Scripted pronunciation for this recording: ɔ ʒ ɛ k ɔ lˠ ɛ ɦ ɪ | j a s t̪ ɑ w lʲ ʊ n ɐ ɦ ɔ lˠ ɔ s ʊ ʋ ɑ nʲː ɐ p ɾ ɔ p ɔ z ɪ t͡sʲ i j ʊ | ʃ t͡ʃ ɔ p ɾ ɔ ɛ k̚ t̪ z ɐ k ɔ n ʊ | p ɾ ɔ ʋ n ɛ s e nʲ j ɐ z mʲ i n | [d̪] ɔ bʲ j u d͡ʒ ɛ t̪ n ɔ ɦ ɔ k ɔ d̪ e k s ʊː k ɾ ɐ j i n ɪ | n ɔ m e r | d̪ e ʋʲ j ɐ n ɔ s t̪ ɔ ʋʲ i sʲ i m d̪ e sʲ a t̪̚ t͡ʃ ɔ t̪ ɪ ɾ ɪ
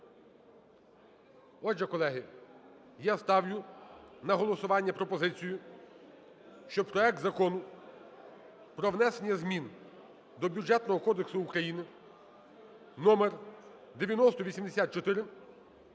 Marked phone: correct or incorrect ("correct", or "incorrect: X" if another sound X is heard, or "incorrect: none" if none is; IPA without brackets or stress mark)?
correct